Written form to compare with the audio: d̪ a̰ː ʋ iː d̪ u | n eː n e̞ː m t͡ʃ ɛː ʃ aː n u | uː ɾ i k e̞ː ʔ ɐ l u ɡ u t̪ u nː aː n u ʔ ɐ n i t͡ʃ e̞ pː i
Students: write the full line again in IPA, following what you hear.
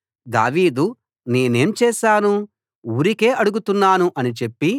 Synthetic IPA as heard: d̪ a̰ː ʋ iː d̪ u | n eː n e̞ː m t͡ʃ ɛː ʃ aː n u | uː ɾ i k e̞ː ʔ ɐ ɽ u ɡ u t̪ u nː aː n u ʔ ɐ n i t͡ʃ e̞ pː i